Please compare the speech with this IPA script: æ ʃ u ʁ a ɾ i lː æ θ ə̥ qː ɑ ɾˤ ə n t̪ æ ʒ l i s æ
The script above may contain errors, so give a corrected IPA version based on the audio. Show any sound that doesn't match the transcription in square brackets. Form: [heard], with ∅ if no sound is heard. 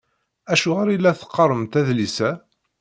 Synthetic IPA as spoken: æ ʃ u ʁ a ɾ i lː æ θ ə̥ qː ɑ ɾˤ ə [m] t̪ æ [ð] l i s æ